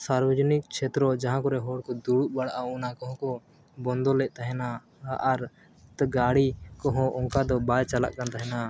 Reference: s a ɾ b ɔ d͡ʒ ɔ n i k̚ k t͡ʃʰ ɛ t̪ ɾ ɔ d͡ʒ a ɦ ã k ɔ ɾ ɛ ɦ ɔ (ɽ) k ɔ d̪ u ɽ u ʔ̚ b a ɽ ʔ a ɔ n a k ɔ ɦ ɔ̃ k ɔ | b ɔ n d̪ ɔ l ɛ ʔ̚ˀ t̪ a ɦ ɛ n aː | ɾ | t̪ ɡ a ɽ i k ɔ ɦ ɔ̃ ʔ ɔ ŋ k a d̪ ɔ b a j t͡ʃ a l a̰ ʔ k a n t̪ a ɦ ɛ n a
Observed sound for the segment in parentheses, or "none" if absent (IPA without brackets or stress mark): ɽ